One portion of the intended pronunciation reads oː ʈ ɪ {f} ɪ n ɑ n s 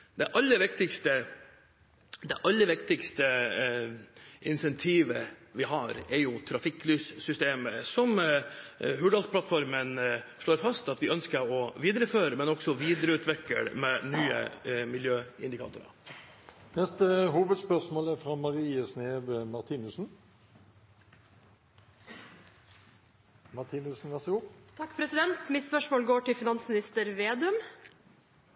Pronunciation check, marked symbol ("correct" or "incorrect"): correct